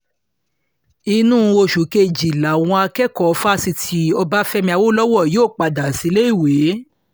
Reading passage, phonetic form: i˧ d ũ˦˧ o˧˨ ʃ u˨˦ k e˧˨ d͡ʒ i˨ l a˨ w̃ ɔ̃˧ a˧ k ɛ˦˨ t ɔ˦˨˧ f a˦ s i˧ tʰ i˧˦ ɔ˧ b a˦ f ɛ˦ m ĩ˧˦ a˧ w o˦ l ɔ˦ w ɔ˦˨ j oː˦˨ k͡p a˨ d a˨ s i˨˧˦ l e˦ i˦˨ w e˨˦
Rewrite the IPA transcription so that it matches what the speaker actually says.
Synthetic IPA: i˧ n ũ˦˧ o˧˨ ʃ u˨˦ k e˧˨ d͡ʒ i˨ l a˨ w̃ ɔ̃˧ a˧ k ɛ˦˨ k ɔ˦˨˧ f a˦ s i˧ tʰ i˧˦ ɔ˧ b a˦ f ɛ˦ m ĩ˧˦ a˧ w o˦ l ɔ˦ w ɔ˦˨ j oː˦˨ k͡p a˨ d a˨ s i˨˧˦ l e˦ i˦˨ w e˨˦